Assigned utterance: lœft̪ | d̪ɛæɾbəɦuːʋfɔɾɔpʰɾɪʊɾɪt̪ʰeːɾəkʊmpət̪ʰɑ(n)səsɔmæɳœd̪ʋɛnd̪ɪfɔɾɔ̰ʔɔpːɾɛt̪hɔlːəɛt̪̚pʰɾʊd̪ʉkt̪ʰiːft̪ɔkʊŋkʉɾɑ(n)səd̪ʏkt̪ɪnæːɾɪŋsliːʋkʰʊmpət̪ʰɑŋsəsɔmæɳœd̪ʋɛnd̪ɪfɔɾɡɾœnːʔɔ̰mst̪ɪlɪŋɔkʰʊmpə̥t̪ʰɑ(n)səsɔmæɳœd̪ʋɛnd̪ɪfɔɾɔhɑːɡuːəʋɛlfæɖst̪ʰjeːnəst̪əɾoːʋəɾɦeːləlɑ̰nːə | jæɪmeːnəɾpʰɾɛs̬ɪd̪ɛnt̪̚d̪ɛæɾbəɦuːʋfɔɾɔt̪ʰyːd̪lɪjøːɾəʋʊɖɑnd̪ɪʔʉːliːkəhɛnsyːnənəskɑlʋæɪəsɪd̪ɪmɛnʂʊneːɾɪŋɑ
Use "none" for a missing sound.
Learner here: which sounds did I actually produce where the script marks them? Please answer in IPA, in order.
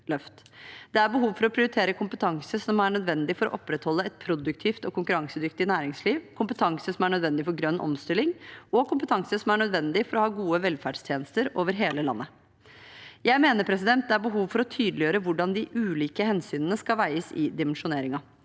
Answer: ŋ, ŋ, ŋ

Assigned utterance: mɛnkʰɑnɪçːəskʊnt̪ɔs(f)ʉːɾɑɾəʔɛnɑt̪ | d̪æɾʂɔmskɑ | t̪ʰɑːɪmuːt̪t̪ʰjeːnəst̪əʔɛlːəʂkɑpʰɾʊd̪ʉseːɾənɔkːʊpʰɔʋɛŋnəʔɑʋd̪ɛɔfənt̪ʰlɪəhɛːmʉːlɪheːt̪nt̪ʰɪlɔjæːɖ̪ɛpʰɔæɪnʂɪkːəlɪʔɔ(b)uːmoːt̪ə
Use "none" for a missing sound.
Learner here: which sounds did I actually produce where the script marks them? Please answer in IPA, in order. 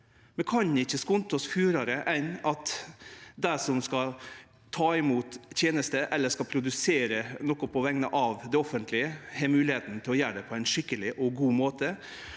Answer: f, ɡ

